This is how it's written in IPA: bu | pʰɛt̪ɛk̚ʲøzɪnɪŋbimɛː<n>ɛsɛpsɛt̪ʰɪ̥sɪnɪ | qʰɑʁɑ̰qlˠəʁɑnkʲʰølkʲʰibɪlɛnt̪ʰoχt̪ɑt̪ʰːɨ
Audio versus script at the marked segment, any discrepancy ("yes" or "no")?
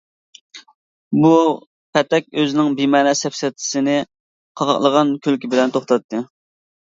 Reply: no